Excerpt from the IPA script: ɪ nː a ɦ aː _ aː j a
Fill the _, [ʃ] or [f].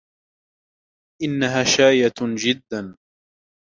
ʃ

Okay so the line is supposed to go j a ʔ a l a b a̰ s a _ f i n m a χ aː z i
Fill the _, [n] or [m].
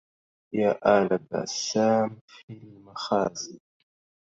m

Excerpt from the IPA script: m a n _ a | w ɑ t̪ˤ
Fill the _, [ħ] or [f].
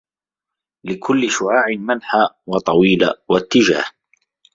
ħ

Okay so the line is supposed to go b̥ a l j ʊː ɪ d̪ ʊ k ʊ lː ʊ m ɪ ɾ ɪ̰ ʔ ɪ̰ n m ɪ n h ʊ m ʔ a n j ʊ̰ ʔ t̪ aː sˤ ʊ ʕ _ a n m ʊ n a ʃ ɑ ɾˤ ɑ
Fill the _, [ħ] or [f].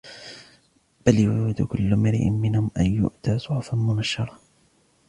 f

